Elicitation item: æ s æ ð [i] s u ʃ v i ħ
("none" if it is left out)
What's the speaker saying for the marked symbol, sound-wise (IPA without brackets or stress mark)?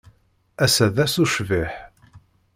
æ